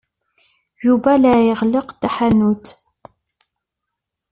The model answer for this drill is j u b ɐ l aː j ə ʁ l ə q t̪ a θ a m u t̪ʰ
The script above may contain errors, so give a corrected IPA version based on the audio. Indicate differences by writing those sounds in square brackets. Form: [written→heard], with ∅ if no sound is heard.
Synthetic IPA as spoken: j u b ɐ l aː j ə ʁ l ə q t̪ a [θ→ħ] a [m→n] u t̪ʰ